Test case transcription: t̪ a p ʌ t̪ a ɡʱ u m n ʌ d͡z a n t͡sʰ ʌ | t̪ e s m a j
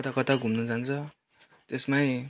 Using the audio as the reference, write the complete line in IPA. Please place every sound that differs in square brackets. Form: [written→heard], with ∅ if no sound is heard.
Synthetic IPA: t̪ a [p→k] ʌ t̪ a ɡʱ u m n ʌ d͡z a n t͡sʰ ʌ | t̪ e s m a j